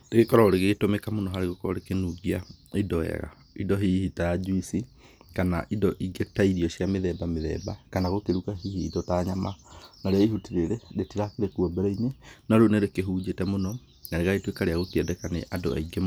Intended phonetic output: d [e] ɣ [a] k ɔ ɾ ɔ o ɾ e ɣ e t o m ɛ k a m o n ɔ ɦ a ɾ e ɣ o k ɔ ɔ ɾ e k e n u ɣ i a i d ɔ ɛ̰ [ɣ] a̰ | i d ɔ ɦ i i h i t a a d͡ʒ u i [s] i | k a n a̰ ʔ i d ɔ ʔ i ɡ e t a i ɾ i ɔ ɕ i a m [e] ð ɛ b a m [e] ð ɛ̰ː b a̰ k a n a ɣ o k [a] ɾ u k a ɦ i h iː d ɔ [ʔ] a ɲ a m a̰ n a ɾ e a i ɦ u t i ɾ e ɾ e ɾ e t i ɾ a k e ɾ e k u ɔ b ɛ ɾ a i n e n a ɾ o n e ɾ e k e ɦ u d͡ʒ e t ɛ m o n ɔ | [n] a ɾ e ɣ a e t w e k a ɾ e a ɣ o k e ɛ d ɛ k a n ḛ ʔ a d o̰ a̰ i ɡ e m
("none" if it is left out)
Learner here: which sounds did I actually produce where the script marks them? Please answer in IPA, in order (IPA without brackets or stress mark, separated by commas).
e, e, ɣ, s, e, e, e, t, n